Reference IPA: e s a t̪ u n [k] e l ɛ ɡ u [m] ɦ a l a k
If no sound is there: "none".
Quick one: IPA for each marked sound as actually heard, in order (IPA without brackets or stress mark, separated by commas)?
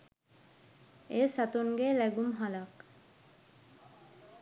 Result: ɡ, m